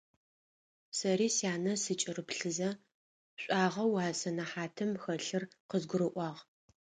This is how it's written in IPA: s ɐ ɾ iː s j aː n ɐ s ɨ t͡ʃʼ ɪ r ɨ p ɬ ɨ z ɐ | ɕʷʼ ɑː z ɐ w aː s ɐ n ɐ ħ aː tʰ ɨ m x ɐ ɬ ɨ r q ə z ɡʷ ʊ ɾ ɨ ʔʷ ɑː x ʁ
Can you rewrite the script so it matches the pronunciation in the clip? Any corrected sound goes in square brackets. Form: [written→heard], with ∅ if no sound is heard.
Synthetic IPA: s ɐ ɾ iː s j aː n ɐ s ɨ t͡ʃʼ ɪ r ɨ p ɬ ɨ z ɐ | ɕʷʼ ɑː [z→ʁ] ɐ w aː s ɐ n ɐ ħ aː tʰ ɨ m x ɐ ɬ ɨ r q ə z ɡʷ ʊ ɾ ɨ ʔʷ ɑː [x→∅] ʁ